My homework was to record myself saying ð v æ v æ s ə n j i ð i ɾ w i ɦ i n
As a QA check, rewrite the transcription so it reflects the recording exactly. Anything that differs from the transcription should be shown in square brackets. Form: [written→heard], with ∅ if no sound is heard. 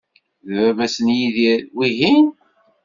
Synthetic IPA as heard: ð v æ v æ s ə n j i ð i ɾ w i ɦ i n